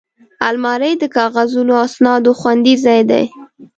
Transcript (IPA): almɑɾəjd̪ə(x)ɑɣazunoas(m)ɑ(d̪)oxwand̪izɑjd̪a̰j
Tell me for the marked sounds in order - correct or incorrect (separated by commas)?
incorrect, incorrect, correct